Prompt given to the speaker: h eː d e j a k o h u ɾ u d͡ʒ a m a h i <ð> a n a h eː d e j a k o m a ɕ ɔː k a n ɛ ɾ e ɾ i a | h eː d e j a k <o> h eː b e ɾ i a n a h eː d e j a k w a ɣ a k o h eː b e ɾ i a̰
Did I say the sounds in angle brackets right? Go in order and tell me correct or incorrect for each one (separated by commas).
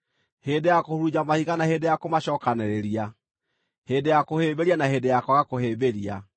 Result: incorrect, correct